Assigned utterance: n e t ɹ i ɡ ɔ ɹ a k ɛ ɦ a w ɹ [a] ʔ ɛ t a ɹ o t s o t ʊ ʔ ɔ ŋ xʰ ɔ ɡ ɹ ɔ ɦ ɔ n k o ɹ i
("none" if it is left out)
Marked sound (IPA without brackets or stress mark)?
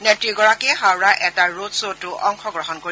a